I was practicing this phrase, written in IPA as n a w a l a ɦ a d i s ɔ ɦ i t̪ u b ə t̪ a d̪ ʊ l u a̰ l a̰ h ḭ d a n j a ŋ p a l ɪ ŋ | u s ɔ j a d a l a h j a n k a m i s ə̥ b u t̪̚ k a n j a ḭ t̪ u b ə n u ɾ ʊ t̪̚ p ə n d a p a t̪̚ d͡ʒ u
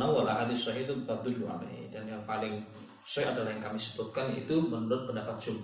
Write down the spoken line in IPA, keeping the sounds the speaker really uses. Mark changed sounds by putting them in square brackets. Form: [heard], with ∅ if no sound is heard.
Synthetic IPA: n a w a l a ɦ a d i s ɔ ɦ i t̪ u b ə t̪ a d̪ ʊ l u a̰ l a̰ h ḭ d a n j a ŋ p a l ɪ ŋ | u s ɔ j a d a l a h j a [ŋ] k a m i s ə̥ b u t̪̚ k a n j a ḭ t̪ u [m] ə n u ɾ ʊ t̪̚ p ə n d a p a t̪̚ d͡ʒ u